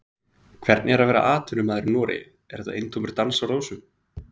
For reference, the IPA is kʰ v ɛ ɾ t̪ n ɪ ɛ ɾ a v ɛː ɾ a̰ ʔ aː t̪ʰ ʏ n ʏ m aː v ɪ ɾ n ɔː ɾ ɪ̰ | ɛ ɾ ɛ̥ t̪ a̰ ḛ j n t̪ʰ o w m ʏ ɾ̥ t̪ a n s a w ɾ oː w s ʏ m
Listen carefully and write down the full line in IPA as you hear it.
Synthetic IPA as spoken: kʰ v ɛ ɾ t̪ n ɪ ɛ ɾ a v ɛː ɾ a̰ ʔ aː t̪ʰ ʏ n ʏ m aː ð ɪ ɾ n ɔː ɾ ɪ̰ | ɛ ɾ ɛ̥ t̪ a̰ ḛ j n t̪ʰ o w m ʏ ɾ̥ t̪ a n s a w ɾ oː w s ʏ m